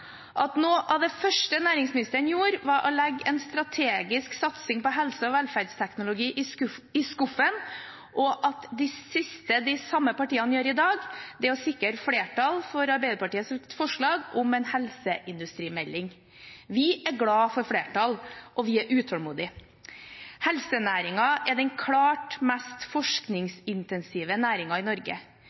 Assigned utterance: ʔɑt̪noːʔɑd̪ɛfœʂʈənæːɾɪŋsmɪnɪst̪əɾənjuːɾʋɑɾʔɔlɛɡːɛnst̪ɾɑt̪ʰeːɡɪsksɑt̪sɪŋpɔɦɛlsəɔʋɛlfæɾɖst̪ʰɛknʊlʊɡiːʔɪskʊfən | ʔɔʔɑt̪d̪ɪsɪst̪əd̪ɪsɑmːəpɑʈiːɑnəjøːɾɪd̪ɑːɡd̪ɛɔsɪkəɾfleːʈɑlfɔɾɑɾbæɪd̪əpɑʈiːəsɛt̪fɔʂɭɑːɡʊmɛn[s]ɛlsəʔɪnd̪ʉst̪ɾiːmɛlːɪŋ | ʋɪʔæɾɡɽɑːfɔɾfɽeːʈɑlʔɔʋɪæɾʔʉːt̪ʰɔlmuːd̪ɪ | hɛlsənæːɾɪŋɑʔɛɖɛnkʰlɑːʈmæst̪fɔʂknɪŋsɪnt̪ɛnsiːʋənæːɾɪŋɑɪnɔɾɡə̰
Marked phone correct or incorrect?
incorrect